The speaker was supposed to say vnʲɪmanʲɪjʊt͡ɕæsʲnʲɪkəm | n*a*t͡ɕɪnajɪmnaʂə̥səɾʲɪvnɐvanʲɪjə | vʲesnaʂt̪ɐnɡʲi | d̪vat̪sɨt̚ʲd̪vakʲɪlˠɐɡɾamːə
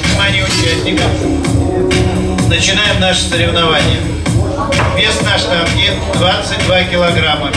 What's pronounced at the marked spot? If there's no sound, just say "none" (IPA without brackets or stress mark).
ə